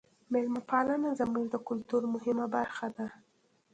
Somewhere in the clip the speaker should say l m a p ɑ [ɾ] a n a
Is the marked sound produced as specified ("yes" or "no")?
no